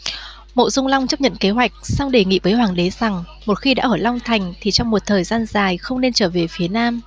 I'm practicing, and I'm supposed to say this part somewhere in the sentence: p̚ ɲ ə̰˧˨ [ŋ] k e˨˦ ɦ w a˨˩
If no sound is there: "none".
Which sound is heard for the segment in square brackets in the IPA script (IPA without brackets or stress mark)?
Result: n